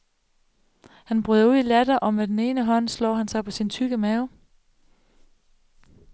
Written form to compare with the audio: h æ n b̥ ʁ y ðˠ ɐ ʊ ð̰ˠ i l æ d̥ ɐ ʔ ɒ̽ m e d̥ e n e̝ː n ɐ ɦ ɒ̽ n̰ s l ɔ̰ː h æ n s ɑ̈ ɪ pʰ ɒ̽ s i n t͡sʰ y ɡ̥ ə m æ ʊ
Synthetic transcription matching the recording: h æ n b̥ ʁ y ðˠ ɐ u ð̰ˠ i l æ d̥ ɐ ʔ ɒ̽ m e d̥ e n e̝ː n ə ɦ ɒ̽ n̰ s l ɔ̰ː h æ n s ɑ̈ ɪ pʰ ɒ̽ s i n t͡sʰ y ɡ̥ ə m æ ʊ